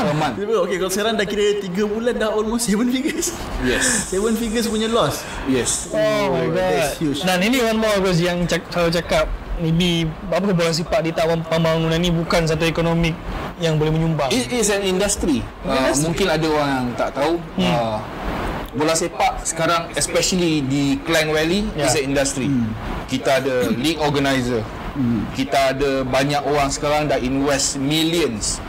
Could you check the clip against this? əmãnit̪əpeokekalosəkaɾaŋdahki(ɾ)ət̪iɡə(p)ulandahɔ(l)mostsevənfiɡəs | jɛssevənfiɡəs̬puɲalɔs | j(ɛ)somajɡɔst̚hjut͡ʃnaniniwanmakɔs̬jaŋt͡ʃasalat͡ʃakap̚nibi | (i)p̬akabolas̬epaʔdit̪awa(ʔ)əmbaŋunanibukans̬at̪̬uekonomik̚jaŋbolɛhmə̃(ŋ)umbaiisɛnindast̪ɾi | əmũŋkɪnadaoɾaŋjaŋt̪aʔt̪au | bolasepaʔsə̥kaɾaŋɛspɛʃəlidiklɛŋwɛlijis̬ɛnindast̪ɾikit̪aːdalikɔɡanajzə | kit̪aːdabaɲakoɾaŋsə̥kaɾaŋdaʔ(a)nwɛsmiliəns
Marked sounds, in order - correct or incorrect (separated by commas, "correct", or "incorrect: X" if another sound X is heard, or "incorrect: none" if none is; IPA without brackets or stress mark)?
correct, incorrect: b, correct, correct, incorrect: a, incorrect: p, incorrect: ɲ, incorrect: i